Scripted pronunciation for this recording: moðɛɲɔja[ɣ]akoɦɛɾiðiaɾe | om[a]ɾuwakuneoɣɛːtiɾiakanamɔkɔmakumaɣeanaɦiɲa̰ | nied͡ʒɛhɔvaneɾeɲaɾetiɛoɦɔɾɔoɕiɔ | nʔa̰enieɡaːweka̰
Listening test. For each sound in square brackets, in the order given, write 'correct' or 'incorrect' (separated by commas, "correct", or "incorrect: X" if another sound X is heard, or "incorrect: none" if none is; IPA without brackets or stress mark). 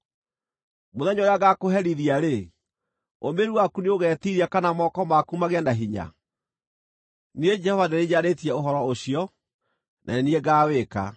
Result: correct, incorrect: e